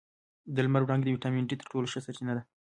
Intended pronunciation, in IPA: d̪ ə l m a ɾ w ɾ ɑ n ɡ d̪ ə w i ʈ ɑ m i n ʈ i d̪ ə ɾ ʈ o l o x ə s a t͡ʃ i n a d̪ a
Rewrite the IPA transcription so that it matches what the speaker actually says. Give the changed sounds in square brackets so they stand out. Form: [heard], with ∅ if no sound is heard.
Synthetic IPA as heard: d̪ ə l m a ɾ w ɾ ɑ [ŋ] ɡ d̪ ə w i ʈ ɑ m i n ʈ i [t̪] ə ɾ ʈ o l o [ʃ] ə s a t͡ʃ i n a d̪ a